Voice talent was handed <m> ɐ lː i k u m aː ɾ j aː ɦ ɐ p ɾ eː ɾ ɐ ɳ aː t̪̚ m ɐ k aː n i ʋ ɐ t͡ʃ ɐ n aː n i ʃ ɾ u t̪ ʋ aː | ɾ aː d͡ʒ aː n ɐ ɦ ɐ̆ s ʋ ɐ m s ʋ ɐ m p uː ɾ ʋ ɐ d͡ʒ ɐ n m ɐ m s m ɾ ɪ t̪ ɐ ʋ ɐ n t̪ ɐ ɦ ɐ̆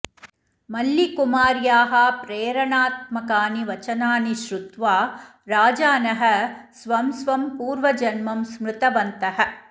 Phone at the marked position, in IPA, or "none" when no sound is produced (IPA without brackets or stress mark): m